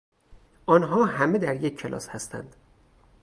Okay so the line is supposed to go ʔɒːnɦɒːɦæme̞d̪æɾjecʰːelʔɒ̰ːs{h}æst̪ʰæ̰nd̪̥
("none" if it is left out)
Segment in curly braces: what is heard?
h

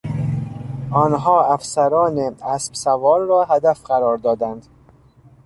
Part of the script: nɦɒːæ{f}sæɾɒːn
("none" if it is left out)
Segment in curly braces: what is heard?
f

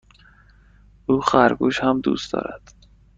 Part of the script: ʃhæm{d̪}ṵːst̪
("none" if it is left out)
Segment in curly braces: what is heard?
d̪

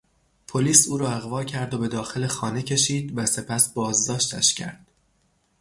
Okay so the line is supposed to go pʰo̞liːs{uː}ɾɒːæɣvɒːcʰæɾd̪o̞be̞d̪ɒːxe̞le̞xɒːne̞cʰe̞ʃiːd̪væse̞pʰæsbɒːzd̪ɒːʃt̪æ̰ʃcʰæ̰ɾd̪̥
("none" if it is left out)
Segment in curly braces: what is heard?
uː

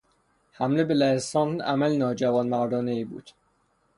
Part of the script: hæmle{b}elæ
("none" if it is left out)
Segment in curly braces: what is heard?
b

